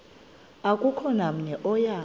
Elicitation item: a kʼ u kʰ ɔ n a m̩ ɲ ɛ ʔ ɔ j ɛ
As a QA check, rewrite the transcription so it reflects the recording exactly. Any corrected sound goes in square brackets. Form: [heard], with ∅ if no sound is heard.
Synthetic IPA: a kʼ u kʰ ɔ n a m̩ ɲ ɛ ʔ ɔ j [a]